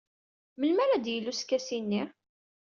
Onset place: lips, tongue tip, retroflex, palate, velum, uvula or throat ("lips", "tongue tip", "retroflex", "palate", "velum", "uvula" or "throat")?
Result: lips